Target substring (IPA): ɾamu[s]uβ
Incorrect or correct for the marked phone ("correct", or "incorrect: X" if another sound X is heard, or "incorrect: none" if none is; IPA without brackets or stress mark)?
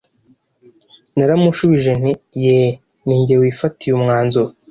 incorrect: ʃ